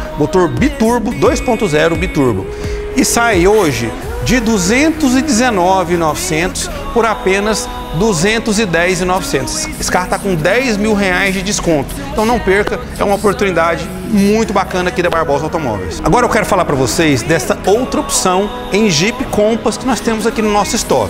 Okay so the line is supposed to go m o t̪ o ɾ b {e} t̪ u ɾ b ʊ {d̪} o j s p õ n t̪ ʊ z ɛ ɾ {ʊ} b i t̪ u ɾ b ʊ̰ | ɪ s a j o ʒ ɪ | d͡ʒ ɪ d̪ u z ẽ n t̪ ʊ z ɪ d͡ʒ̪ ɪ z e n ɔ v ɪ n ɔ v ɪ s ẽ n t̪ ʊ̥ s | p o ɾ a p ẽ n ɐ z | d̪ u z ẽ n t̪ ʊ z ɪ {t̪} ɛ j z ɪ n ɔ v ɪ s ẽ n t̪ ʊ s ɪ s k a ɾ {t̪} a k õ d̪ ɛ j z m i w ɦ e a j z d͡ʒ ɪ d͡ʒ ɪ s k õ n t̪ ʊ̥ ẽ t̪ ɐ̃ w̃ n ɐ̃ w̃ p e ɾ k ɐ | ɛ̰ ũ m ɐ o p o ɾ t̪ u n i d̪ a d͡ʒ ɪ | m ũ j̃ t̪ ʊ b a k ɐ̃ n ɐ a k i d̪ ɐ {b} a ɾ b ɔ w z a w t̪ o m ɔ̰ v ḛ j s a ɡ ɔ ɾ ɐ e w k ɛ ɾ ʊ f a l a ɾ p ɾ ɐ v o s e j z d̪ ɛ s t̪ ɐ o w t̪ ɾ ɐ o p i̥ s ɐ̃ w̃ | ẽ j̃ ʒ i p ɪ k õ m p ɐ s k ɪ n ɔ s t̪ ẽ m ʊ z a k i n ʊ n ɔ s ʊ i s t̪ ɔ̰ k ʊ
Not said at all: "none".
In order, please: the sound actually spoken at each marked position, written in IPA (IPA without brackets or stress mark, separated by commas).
i, d̪, ʊ, d̪, t̪, b